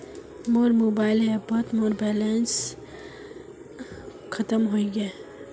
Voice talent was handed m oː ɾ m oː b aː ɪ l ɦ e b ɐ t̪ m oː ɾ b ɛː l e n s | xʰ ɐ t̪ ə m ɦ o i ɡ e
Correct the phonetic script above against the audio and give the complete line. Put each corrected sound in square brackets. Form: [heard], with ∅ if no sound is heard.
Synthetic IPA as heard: m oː ɾ m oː b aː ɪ l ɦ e b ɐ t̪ m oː ɾ b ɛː l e n s | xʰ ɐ t̪ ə m ɦ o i ɡ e